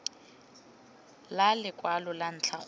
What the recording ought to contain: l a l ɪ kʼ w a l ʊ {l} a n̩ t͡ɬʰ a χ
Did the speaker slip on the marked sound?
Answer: no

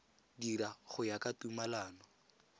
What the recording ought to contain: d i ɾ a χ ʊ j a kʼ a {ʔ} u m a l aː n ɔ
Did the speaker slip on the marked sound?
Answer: yes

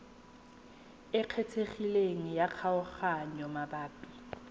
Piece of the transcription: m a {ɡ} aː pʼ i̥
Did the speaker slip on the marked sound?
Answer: yes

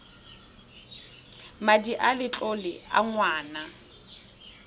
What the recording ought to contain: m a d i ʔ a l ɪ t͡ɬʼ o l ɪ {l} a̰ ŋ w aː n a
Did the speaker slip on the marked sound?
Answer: yes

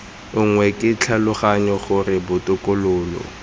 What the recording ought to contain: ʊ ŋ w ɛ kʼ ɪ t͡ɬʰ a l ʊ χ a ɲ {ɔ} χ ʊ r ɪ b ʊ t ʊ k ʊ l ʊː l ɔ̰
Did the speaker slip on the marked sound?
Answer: no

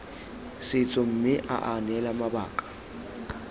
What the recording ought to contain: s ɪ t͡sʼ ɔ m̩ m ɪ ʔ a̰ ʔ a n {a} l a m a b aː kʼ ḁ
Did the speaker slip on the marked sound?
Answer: yes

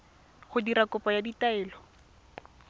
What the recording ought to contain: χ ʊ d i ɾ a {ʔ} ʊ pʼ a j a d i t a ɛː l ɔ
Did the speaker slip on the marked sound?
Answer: yes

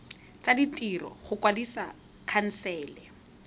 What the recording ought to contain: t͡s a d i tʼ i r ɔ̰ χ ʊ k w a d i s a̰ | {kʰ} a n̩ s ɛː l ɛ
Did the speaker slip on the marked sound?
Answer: no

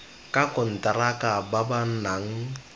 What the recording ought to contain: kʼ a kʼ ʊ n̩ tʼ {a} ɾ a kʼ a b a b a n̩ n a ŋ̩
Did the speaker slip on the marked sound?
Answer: no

